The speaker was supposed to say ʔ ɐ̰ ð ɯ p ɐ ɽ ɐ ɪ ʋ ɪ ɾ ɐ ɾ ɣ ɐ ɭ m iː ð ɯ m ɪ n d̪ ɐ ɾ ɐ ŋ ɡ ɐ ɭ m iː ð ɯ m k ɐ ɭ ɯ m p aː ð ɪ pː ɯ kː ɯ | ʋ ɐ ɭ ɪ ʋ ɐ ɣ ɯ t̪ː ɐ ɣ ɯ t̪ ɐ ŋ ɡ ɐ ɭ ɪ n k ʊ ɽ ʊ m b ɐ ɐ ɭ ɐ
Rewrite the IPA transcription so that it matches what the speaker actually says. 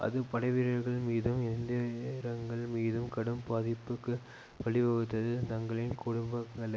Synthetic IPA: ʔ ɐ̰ ð ɯ p ɐ ɽ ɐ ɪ ʋ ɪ ɾ ɐ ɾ ɣ ɐ ɭ m iː ð ɯ m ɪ n d̪ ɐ ɾ ɐ ŋ ɡ ɐ ɭ m iː ð ɯ m k ɐ ɽ ɯ m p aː ð ɪ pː ɯ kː ɯ | ʋ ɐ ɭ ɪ ʋ ɐ ɣ ɯ t̪ː ɐ ð ɯ t̪ ɐ ŋ ɡ ɐ ɭ ɪ n k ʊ ɽ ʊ m b ɐ ɐ ɭ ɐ